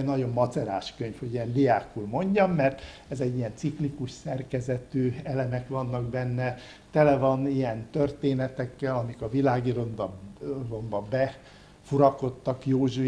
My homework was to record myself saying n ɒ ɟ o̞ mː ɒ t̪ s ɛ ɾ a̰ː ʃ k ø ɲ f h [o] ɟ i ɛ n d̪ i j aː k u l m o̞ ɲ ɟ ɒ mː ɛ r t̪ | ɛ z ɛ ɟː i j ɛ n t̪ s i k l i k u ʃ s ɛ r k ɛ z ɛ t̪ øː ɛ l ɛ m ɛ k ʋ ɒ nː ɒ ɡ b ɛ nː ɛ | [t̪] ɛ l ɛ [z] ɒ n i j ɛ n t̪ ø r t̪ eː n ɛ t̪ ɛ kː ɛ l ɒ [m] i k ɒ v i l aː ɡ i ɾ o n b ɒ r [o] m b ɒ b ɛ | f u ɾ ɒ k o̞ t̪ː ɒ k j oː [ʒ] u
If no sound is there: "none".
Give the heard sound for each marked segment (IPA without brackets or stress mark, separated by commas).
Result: o, t̪, v, m, o, ʒ